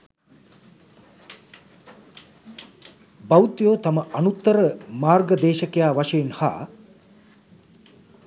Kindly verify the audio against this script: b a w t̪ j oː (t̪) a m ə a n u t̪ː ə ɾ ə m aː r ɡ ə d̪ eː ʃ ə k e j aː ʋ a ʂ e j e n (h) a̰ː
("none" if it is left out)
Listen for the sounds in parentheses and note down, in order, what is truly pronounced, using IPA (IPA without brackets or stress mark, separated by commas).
t̪, h